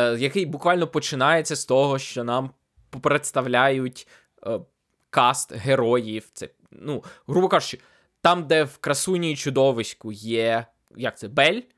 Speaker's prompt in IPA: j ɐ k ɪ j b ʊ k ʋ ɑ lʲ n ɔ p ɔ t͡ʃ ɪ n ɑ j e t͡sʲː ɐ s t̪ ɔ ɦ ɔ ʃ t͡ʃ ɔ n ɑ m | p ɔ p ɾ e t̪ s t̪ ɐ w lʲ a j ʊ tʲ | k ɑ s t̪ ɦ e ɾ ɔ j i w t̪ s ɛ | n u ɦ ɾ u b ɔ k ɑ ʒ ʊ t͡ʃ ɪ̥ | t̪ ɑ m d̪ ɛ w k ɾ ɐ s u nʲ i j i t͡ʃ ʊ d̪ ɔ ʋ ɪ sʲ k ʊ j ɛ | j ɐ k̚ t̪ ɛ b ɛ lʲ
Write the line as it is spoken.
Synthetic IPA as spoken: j ɐ k ɪ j b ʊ k ʋ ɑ lʲ n ɔ p ɔ t͡ʃ ɪ n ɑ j e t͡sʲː ɐ s t̪ ɔ ɦ ɔ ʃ t͡ʃ ɔ n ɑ m | p ɔ p ɾ e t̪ s t̪ ɐ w lʲ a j ʊ tʲ | k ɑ s t̪ ɦ e ɾ ɔ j i w t̪ s ɛ | n u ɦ ɾ u b ɔ k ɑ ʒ ʊ t͡ʃ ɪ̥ | t̪ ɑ m d̪ ɛ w k ɾ ɐ s u nʲ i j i t͡ʃ ʊ d̪ ɔ ʋ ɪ sʲ k ʊ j ɛ | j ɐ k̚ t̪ ɛ b ɛ lʲ